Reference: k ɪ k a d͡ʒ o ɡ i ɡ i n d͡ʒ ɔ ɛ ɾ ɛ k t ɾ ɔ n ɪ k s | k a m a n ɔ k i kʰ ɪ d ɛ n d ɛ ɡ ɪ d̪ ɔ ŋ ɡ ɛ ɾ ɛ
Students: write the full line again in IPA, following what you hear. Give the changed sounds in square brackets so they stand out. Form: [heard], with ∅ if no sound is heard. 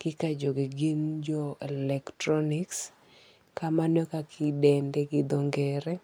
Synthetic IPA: k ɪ k a d͡ʒ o ɡ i ɡ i n d͡ʒ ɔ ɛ [l] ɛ k t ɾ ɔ n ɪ k s | k a m a n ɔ k [a] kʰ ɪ d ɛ n d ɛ ɡ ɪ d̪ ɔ ŋ ɡ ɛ ɾ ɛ